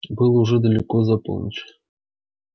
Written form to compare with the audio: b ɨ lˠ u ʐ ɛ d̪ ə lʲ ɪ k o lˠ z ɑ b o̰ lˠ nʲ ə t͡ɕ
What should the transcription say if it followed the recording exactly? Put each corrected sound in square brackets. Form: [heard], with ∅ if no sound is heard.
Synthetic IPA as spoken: b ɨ lˠ u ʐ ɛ d̪ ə lʲ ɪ k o [∅] z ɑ [p] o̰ lˠ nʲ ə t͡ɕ